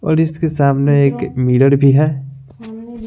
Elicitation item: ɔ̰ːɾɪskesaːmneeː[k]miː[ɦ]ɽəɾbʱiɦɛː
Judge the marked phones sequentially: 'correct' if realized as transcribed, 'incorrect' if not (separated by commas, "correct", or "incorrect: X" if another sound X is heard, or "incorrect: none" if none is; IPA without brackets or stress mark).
correct, incorrect: none